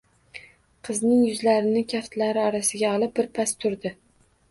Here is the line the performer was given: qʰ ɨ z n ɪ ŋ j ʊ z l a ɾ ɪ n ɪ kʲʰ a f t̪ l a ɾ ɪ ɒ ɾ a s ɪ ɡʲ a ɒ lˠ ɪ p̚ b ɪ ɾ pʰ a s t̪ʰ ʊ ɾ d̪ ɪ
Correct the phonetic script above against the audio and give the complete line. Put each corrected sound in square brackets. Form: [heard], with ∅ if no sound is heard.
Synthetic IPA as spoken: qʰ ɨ z n ɪ ŋ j ʊ z l a ɾ ɪ n ɪ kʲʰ a f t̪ l a ɾ ɪ ɒ ɾ a s ɪ ɡʲ a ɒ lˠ ɪ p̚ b ɪ ɾ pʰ a s t̪ʰ ʊ ɾ d̪ ɪ